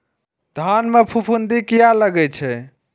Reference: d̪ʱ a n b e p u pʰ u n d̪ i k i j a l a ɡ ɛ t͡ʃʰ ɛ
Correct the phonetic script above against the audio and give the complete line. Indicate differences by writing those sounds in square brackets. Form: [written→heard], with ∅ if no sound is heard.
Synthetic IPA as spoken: d̪ʱ a n [b→m] e [p→pʰ] u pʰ u n d̪ i k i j a l [a→ə] ɡ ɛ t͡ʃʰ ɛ